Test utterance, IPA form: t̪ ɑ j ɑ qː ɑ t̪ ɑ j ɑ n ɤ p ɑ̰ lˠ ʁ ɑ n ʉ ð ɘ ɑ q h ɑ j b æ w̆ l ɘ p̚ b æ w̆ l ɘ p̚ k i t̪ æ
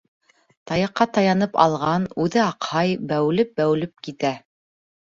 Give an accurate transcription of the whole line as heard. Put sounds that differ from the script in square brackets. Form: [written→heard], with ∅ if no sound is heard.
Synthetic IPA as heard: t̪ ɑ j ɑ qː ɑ t̪ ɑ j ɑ n ɤ p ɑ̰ lˠ ʁ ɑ n ʉ ð ɘ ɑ q h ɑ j b æ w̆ l ɘ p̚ b æ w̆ l ɘ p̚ k i t̪ æ